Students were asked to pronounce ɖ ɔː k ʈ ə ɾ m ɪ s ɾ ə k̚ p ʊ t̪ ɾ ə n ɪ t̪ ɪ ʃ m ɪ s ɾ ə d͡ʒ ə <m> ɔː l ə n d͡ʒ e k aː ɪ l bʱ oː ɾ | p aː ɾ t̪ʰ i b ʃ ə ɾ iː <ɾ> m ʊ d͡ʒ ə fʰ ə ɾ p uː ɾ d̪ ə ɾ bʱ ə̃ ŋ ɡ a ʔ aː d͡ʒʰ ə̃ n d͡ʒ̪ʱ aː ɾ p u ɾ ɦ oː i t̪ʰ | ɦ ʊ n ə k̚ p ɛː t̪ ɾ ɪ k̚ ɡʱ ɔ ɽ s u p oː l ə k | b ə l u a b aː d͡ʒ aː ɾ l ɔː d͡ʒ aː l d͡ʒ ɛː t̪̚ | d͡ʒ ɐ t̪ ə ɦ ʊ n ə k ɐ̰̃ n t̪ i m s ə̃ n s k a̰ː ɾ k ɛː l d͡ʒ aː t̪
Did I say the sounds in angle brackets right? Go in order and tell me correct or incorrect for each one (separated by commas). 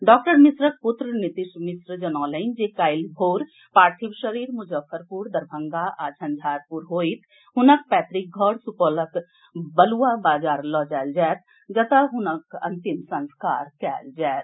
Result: incorrect, correct